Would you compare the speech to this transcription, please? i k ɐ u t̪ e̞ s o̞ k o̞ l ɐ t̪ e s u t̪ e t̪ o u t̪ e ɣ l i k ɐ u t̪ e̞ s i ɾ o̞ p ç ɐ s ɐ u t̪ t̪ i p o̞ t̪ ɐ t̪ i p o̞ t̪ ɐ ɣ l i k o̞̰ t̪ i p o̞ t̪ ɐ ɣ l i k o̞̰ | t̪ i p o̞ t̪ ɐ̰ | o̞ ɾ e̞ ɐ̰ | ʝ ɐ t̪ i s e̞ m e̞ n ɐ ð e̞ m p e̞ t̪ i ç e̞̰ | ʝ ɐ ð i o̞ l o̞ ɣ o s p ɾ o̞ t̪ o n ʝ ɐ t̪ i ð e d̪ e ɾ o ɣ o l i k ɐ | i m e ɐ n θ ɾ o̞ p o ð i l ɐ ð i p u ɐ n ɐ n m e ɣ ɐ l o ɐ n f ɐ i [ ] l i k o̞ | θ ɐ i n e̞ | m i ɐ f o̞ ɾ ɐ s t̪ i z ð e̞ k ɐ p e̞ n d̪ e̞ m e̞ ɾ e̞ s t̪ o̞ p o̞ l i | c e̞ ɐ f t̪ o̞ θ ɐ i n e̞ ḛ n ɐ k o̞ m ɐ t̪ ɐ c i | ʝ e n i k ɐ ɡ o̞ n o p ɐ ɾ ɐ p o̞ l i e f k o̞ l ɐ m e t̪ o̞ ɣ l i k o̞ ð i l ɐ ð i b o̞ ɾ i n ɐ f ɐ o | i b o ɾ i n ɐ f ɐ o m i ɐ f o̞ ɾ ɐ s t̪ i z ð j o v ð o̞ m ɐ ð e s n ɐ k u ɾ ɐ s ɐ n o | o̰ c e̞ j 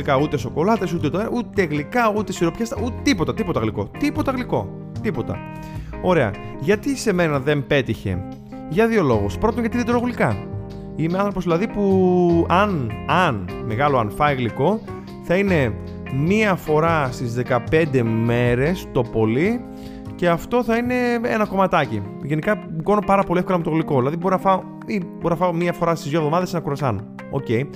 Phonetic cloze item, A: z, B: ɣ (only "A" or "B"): B